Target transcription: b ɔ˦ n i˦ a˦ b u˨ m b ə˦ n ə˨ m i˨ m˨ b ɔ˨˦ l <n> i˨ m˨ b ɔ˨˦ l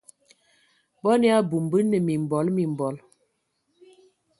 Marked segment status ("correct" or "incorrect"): incorrect